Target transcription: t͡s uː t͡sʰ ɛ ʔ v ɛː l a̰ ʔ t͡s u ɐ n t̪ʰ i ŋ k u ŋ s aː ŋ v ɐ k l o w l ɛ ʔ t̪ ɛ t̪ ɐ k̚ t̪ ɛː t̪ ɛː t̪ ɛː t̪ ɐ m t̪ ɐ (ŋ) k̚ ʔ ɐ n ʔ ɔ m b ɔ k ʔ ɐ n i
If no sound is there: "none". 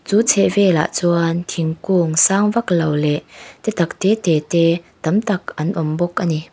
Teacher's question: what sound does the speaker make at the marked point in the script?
none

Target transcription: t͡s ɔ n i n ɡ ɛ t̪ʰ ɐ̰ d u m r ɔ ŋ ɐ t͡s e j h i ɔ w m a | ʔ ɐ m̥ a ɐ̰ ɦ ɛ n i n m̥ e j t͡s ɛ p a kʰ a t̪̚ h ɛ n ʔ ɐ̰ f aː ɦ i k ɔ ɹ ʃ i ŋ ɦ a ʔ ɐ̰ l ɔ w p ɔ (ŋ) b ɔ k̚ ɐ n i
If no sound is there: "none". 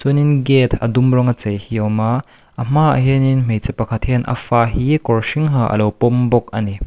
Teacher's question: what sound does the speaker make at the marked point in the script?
m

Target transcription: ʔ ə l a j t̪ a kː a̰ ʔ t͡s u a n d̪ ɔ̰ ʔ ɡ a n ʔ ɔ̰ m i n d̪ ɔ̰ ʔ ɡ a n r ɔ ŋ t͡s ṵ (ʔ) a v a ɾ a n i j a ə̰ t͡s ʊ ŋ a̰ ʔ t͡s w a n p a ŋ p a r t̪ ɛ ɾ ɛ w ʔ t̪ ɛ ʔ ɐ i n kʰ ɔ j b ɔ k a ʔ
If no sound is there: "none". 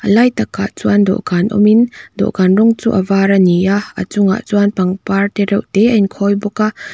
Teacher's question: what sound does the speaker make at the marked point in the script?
ʔ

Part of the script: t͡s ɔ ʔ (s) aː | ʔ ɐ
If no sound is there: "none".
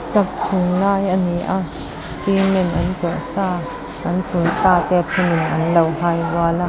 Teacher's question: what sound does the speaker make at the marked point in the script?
s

